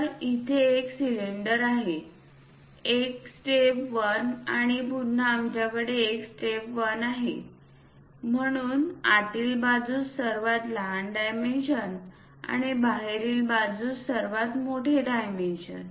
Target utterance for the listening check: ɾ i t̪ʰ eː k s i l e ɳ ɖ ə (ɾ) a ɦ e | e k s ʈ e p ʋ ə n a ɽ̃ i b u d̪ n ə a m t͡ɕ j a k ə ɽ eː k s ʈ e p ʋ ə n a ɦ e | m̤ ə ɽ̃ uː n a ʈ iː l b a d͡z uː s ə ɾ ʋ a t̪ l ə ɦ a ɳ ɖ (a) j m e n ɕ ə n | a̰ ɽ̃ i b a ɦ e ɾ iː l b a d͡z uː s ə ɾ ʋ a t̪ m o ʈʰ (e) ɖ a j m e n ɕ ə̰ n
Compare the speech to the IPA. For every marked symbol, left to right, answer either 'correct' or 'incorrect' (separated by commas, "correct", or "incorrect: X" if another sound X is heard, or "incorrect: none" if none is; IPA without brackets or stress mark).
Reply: correct, correct, correct